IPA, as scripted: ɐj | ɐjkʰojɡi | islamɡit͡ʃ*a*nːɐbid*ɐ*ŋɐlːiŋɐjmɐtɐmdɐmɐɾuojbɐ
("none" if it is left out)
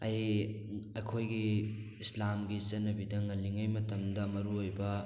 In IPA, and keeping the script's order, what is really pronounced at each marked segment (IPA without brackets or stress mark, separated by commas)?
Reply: ɐ, ɐ